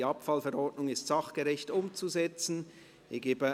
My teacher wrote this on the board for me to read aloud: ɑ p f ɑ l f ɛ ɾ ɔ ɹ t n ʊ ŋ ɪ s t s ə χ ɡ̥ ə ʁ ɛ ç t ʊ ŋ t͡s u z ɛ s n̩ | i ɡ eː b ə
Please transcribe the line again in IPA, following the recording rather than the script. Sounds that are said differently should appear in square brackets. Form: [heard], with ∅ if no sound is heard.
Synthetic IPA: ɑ p f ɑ l f ɛ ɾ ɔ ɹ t n ʊ ŋ ɪ s t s [ɑ] χ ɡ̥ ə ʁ ɛ ç t ʊ [m] t͡s u z ɛ [t͡s] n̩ | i ɡ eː b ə